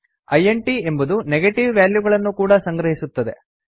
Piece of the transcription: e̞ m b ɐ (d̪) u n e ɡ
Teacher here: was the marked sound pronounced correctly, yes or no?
yes